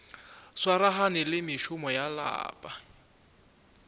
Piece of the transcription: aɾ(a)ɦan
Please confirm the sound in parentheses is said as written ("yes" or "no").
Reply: yes